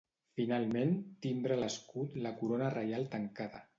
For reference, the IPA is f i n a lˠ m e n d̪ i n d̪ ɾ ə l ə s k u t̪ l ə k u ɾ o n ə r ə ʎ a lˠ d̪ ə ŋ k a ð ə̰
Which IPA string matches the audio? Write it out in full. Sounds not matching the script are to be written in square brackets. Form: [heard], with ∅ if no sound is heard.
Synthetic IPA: f i n a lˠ m e n [t̪] i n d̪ ɾ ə l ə s k u t̪ l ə k u ɾ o n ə r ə [j] a lˠ [t̪] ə ŋ k a ð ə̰